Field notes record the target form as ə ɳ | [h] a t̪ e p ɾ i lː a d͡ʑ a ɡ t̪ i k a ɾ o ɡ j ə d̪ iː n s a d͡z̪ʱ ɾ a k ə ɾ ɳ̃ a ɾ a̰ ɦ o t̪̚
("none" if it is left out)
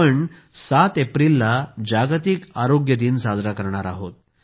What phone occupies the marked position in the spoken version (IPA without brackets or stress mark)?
s